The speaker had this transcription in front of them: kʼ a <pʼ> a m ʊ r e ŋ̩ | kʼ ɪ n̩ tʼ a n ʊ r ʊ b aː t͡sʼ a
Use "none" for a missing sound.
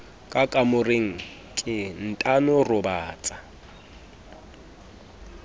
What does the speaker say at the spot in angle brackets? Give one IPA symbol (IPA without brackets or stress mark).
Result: kʼ